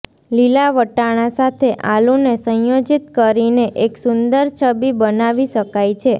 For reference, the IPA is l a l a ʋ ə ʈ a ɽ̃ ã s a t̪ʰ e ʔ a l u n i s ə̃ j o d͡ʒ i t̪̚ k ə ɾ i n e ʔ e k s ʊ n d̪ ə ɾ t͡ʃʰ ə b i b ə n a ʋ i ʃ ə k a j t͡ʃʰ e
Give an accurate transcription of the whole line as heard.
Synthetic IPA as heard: l i l a ʋ ə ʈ a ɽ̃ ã s a t̪ʰ e ʔ a l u n e s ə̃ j o d͡ʒ i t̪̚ k ə ɾ i n e ʔ e k s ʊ n d̪ ə ɾ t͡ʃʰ ə b i b ə n a ʋ i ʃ ə k a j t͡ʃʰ e